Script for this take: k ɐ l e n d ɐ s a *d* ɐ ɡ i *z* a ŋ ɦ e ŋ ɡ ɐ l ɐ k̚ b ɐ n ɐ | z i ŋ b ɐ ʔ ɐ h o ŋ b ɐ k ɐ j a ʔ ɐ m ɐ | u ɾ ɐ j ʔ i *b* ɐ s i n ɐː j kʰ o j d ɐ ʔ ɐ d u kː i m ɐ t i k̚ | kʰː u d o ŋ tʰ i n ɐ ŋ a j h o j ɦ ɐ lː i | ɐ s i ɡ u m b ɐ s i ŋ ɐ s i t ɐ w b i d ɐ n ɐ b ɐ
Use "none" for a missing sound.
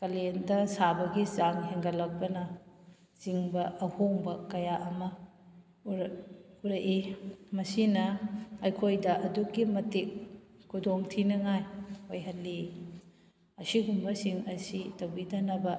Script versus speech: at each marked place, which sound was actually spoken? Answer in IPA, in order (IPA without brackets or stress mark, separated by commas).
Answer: b, z, m